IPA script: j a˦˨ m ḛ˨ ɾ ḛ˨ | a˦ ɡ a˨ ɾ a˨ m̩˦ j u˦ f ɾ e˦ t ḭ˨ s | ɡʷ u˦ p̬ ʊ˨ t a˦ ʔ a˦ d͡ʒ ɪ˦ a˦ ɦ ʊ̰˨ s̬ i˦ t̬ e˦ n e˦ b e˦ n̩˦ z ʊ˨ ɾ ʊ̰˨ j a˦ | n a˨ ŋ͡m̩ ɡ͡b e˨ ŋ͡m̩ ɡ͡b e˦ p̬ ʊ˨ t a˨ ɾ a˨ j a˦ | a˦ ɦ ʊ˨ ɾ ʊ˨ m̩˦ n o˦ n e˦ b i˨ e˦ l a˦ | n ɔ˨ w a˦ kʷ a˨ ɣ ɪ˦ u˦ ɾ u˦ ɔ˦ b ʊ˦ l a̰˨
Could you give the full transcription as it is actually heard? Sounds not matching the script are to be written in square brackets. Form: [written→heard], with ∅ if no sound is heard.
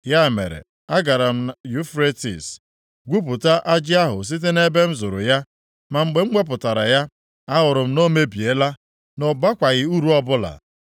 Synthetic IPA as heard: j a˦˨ m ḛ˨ ɾ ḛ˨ | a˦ ɡ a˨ ɾ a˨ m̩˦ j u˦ f ɾ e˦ t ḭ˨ s | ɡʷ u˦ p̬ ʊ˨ t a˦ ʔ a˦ d͡ʒ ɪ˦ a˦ ɦ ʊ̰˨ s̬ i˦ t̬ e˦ n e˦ b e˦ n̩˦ z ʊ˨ ɾ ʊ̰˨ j a˦ | [n→m] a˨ ŋ͡m̩ ɡ͡b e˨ ŋ͡m̩ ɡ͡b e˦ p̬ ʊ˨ t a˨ ɾ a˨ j a˦ | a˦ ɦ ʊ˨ ɾ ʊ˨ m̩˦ n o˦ [n→m] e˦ b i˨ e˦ l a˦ | n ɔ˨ [w→b] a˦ kʷ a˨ ɣ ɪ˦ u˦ ɾ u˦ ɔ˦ b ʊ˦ l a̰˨

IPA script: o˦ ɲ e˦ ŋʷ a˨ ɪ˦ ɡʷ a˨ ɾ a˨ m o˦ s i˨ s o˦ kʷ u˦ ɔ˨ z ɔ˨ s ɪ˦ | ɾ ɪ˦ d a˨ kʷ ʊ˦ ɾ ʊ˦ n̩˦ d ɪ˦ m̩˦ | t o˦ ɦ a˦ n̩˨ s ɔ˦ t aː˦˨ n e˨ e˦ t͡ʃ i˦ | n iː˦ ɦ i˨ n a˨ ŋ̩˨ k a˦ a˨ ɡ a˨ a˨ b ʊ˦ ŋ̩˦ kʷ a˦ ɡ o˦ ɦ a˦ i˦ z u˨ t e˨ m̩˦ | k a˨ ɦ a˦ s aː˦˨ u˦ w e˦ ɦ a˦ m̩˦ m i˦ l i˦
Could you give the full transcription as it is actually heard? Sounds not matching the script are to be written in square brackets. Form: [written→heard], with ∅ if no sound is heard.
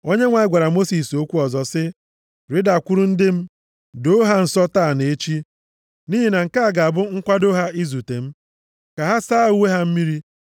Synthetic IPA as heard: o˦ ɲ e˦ ŋʷ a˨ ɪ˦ ɡʷ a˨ ɾ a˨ m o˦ s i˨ s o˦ kʷ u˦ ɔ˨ z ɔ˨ s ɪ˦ | ɾ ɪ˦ d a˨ kʷ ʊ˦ ɾ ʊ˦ n̩˦ d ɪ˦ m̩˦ | [t→d] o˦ ɦ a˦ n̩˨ s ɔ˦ t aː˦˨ n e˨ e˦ t͡ʃ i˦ | n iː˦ ɦ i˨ n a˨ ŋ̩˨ k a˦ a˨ ɡ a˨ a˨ b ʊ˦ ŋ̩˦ kʷ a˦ [ɡ→d] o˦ ɦ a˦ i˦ z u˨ t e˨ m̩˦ | k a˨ ɦ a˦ s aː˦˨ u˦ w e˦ ɦ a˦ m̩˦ m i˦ [l→ɾ] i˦

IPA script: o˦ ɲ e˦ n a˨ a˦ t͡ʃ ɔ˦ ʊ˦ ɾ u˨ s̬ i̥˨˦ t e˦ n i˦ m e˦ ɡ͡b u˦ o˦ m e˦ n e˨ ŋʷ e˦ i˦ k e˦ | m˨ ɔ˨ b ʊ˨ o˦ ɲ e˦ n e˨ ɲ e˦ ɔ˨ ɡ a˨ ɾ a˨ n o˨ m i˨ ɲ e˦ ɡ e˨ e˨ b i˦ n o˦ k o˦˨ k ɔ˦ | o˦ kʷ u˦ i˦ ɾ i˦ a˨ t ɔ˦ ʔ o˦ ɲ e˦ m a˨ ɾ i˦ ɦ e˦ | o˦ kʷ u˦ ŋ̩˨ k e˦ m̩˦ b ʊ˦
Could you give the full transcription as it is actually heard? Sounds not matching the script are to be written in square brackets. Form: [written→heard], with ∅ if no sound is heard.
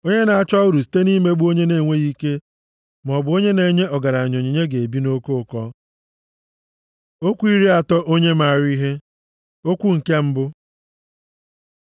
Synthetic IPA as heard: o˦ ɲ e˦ n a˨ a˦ t͡ʃ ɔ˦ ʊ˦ ɾ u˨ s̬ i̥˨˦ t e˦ n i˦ m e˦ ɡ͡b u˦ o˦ [m→ɲ] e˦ n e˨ ŋʷ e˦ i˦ k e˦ | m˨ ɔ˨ b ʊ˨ o˦ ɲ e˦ n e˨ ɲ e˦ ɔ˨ ɡ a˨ ɾ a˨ [n→ɲ] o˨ [m→ɲ] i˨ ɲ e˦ ɡ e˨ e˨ b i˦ n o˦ k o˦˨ k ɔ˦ | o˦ kʷ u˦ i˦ ɾ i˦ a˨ t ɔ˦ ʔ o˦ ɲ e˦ m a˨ ɾ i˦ ɦ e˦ | o˦ kʷ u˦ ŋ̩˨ k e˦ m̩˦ b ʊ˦

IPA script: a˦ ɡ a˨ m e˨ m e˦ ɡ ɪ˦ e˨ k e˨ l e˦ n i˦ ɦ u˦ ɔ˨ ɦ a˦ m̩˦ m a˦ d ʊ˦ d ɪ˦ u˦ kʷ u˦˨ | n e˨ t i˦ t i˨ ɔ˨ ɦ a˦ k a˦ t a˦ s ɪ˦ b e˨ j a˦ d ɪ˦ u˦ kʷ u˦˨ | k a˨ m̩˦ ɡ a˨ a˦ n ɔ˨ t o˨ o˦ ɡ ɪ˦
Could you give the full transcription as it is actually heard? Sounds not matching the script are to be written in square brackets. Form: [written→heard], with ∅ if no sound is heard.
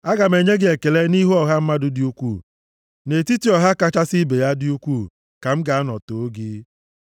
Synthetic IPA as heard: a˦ ɡ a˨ m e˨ [m→ɲ] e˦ ɡ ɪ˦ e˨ k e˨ l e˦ n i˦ ɦ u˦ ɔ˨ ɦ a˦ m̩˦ m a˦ d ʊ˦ d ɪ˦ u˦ kʷ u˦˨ | n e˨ t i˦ t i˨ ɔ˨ ɦ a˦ k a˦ [t→t͡ʃ] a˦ s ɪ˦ b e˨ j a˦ d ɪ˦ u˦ kʷ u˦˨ | k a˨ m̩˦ ɡ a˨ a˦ n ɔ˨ t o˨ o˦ ɡ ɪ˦

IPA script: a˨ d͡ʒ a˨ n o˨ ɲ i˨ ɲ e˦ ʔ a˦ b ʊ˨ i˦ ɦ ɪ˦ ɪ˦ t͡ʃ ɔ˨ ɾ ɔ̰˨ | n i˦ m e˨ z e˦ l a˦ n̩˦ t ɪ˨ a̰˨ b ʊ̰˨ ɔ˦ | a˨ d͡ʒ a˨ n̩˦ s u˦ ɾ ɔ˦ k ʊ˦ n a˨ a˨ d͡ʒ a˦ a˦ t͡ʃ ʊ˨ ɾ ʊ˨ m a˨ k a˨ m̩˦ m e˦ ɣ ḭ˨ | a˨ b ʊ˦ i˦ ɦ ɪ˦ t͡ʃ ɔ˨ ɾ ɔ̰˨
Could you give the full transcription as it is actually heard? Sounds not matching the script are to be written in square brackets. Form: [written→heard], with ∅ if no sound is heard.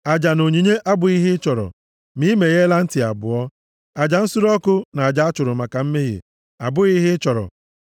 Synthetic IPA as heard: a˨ d͡ʒ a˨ n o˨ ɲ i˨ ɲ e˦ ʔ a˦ b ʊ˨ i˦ ɦ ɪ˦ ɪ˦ t͡ʃ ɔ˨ ɾ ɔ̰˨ | [n→m] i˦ m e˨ [z→ɣ] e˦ l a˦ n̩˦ t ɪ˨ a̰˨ b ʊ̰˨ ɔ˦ | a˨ d͡ʒ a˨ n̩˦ s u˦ ɾ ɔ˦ k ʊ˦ n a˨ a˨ d͡ʒ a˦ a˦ t͡ʃ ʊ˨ ɾ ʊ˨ m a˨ k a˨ m̩˦ m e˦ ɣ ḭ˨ | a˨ b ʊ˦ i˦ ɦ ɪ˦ t͡ʃ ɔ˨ ɾ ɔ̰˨

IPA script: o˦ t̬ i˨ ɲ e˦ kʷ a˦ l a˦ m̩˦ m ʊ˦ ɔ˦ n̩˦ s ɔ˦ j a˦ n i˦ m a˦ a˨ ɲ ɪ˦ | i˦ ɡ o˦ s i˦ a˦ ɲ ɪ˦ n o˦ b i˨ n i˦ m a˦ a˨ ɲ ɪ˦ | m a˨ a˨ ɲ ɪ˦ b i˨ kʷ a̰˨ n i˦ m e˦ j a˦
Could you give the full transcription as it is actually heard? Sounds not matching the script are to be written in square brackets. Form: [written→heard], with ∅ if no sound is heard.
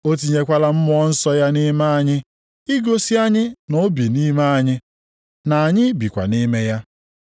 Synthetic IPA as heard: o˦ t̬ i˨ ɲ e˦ kʷ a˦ l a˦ m̩˦ m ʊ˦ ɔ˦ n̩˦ s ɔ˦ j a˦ n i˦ m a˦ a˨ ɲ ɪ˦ | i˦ ɡ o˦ s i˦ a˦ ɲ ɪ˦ n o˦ b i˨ n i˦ m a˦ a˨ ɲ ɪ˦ | [m→n] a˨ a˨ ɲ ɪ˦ b i˨ kʷ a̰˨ n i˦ m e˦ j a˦

